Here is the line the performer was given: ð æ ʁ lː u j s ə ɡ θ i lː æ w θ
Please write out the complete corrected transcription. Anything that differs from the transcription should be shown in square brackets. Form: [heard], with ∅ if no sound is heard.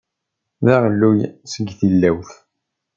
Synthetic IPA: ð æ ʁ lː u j s ə ɡ θ i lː æ w θ